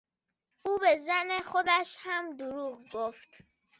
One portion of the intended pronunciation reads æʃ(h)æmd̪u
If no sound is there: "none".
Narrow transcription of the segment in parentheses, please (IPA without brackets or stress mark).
h